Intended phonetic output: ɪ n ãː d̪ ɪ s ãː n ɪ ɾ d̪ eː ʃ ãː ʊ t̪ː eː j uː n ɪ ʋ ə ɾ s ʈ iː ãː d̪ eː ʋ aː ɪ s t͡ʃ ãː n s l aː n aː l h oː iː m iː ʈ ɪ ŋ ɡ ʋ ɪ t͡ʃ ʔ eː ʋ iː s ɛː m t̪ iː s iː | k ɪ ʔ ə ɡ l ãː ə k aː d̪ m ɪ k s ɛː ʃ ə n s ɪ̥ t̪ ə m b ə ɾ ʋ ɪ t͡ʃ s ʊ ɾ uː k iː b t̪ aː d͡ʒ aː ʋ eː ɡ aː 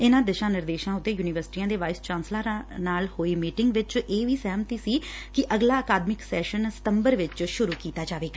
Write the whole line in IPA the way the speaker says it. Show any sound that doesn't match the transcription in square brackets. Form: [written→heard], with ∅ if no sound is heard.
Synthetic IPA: ɪ n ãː d̪ ɪ [s→ʃ] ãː n ɪ ɾ d̪ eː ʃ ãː ʊ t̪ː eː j uː n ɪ ʋ ə ɾ s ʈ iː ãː d̪ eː ʋ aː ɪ s t͡ʃ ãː n s l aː n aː l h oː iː m iː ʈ ɪ ŋ ɡ ʋ ɪ t͡ʃ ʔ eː ʋ iː s ɛː m t̪ iː s iː | k ɪ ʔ ə ɡ l [ãː→aː] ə k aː d̪ m ɪ k s ɛː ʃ ə n s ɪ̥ t̪ ə m b ə ɾ ʋ ɪ t͡ʃ [s→ʃ] ʊ ɾ uː k iː [b→∅] t̪ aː d͡ʒ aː ʋ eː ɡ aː